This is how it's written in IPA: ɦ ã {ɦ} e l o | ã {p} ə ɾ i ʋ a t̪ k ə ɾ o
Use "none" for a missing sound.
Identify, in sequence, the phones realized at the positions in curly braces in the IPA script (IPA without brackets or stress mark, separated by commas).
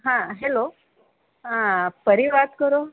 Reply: ɦ, p